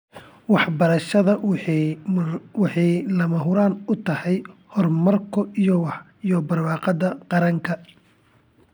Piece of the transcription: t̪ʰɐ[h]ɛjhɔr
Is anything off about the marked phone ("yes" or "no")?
no